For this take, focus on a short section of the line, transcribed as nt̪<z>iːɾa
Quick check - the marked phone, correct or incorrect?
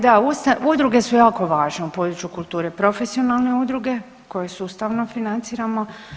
incorrect